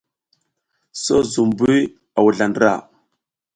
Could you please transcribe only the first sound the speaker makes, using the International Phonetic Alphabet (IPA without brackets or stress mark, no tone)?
s